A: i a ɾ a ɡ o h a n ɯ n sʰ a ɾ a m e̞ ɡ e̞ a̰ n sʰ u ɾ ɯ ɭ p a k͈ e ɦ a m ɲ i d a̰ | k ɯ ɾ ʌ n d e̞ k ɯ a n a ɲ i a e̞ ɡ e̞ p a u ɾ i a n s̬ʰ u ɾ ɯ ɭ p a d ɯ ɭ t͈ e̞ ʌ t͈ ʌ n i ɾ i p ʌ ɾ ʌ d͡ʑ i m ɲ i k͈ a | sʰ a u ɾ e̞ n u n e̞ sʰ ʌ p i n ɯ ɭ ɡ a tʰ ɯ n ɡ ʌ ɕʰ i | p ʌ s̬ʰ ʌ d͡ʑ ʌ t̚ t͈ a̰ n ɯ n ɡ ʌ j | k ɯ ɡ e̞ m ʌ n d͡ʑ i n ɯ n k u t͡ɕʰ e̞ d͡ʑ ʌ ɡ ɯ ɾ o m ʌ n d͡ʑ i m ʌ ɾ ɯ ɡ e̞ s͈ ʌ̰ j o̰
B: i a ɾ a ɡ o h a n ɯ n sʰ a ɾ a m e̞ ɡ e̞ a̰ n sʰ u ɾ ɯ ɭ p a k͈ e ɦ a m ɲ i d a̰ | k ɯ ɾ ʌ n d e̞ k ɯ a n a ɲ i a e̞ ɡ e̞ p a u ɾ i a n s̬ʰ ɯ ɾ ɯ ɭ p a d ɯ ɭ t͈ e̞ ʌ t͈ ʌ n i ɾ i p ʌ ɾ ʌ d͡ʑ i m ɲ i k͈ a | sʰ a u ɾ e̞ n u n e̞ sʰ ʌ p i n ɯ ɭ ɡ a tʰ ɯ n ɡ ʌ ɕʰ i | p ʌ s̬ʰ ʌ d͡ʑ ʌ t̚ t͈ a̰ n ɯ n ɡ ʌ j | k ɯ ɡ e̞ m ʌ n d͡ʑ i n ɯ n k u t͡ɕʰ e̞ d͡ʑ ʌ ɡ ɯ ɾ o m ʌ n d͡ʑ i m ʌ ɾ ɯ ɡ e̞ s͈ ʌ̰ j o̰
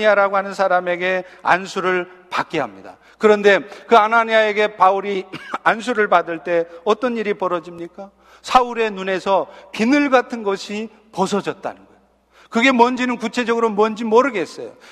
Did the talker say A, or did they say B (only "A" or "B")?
A